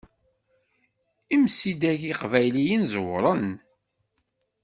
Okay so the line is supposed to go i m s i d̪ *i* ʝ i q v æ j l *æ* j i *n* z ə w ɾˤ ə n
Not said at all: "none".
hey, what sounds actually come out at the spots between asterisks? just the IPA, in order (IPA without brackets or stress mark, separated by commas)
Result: æ, i, n